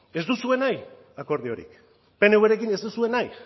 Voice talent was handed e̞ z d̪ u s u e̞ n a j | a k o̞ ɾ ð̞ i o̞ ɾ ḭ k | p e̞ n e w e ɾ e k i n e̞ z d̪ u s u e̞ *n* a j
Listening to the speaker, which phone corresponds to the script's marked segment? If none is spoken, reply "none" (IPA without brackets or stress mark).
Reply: n